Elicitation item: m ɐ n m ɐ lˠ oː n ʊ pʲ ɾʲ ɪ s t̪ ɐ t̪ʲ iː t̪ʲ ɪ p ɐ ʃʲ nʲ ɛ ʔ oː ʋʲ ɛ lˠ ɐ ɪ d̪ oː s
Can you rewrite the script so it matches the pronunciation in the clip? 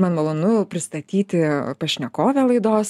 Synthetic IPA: m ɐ n m ɐ lˠ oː n ʊ pʲ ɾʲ ɪ s t̪ ɐ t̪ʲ iː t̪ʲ ɪ p ɐ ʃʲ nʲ ɛ k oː ʋʲ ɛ lˠ ɐ ɪ d̪ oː s

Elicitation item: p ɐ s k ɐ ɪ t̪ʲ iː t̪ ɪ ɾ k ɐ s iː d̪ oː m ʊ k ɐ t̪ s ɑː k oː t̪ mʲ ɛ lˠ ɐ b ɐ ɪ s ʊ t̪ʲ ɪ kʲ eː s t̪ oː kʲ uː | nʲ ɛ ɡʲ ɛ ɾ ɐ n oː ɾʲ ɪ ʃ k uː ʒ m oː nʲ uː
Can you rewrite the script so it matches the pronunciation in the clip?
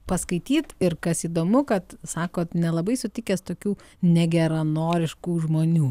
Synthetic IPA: p ɐ s k ɐ ɪ t̪ʲ iː t̪ ɪ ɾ k ɐ s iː d̪ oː m ʊ k ɐ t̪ s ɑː k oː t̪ nʲ ɛ lˠ ɐ b ɐ ɪ s ʊ t̪ʲ ɪ kʲ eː s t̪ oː kʲ uː | nʲ ɛ ɡʲ ɛ ɾ ɐ n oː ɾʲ ɪ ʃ k uː ʒ m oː nʲ uː

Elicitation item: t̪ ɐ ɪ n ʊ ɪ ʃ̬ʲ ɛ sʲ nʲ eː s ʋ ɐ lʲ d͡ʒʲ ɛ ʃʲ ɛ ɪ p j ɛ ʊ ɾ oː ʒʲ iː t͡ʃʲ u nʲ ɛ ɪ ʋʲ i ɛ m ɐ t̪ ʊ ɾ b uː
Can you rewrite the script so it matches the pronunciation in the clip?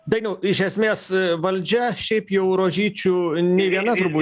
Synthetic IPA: d̪ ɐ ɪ n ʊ ɪ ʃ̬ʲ ɛ sʲ mʲ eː s ʋ ɐ lʲ d͡ʒʲ ɛ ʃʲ ɛ ɪ p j ɛ ʊ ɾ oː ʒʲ iː t͡ʃʲ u nʲ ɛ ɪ ʋʲ i ɛ n ɐ t̪ ʊ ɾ b uː

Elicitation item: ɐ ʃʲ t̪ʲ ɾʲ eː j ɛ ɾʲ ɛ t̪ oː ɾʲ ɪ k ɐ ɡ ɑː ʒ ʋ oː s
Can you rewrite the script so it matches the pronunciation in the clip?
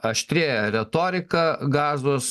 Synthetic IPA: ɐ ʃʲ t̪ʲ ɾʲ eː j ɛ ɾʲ ɛ t̪ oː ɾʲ ɪ k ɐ ɡ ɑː z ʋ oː s

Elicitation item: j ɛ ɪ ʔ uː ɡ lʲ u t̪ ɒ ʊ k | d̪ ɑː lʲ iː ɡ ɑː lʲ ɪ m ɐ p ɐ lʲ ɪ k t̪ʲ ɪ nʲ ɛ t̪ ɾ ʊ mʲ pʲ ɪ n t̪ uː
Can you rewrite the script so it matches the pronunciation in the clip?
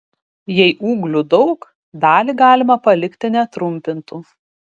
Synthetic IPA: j ɛ ɪ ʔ uː ɡ lʲ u d̪ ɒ ʊ k | d̪ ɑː lʲ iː ɡ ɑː lʲ ɪ m ɐ p ɐ lʲ ɪ k t̪ʲ ɪ nʲ ɛ t̪ ɾ ʊ mʲ pʲ ɪ n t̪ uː

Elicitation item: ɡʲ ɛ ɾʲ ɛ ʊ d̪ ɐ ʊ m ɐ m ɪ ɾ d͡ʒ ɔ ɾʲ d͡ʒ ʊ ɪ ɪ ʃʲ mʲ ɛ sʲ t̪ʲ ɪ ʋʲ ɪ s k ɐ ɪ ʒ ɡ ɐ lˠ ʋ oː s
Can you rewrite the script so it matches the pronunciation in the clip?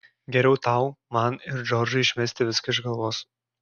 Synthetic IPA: ɡʲ ɛ ɾʲ ɛ ʊ t̪ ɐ ʊ m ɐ n ɪ ɾ d͡ʒ ɔ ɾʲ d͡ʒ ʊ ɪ ɪ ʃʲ mʲ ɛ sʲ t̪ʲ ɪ ʋʲ ɪ s k ɐ ɪ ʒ ɡ ɐ lˠ ʋ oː s

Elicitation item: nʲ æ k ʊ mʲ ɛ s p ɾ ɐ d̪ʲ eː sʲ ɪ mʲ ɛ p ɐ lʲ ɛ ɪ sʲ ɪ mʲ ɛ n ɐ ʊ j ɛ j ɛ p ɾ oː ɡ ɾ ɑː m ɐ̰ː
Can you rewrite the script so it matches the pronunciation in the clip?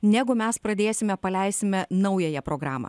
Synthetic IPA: nʲ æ ɡ ʊ mʲ ɛ s p ɾ ɐ d̪ʲ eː sʲ ɪ mʲ ɛ p ɐ lʲ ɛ ɪ sʲ ɪ mʲ ɛ n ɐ ʊ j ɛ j ɛ p ɾ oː ɡ ɾ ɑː m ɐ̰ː

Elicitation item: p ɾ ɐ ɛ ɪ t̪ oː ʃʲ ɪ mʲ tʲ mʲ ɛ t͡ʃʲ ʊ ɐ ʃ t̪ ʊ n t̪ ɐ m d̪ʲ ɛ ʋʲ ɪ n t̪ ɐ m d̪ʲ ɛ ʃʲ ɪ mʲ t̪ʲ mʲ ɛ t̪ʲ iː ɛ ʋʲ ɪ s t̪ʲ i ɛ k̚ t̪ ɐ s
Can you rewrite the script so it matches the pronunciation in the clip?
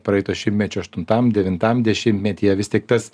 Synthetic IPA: p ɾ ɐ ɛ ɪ t̪ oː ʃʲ ɪ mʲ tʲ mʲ ɛ t͡ʃʲ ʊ ɐ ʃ t̪ ʊ n t̪ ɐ m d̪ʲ ɛ ʋʲ ɪ n t̪ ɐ m d̪ʲ ɛ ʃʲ ɪ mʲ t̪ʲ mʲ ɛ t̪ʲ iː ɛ ʋʲ ɪ s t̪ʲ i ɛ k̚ t̪ ɐ s

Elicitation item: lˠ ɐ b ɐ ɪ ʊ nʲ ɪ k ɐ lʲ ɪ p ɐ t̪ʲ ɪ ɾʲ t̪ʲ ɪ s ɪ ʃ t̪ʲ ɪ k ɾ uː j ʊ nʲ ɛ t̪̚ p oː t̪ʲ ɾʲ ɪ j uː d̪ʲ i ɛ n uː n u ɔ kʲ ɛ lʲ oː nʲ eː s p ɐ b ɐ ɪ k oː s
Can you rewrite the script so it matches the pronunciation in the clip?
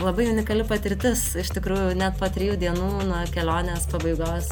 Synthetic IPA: lˠ ɐ b ɐ ɪ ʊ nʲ ɪ k ɐ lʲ ɪ p ɐ t̪ʲ ɪ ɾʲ t̪ʲ ɪ s ɪ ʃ t̪ʲ ɪ k ɾ uː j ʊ nʲ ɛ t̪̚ p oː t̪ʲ ɾʲ ɪ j uː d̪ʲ i ɛ n uː n u ɔ kʲ ɛ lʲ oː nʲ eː s p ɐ b ɐ ɪ ɡ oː s

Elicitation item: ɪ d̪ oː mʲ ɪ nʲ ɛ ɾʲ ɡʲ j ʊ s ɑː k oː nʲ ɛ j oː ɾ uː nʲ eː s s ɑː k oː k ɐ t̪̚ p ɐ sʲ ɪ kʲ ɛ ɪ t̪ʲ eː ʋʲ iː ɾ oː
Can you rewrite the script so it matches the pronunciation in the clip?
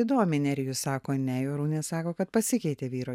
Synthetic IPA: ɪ d̪ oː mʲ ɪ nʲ ɛ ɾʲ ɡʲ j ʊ s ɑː k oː nʲ ɛ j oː ɾ uː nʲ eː s s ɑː k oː k ɐ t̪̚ p ɐ sʲ ɪ kʲ ɛ ɪ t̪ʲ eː ʋʲ iː ɾ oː

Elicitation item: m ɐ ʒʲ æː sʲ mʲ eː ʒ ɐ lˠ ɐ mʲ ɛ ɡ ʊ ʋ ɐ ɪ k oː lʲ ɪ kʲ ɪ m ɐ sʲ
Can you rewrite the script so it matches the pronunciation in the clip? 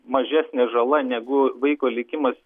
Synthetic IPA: m ɐ ʒʲ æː sʲ nʲ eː ʒ ɐ lˠ ɐ nʲ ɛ ɡ ʊ ʋ ɐ ɪ k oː lʲ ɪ kʲ ɪ m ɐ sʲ

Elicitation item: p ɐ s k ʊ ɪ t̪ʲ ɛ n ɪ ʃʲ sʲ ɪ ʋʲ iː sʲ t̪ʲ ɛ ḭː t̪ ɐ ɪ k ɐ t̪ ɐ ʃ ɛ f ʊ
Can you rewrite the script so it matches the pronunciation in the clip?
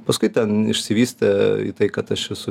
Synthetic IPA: p ɐ s k ʊ ɪ t̪ʲ ɛ n ɪ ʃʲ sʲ ɪ ʋʲ iː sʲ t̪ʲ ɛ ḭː t̪ ɐ ɪ k ɐ t̪ ɐ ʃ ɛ s ʊ

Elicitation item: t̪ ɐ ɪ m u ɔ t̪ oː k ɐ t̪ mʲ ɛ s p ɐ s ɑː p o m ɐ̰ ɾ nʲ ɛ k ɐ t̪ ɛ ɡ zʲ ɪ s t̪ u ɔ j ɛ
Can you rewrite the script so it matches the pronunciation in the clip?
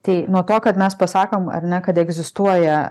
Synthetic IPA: t̪ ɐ ɪ n u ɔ t̪ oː k ɐ t̪ mʲ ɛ s p ɐ s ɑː k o m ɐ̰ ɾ nʲ ɛ k ɐ t̪ ɛ ɡ zʲ ɪ s t̪ u ɔ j ɛ

